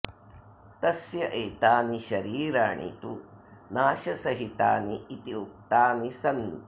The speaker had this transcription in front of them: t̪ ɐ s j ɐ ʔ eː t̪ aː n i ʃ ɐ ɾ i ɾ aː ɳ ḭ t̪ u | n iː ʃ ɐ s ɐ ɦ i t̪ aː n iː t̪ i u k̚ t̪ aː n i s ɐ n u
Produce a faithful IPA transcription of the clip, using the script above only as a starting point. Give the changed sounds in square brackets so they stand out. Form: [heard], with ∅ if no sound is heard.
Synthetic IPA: t̪ ɐ s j ɐ ʔ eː t̪ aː n i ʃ ɐ ɾ [iː] ɾ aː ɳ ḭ t̪ u | n [aː] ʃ ɐ s ɐ ɦ i t̪ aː n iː t̪ i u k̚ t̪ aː n i s ɐ n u